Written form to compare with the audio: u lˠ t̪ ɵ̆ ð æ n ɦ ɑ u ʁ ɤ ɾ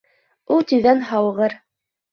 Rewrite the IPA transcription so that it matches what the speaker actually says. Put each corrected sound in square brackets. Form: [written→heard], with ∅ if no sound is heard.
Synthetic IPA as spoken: u lˠ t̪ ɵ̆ ð æ n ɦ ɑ [u→w] ʁ ɤ ɾ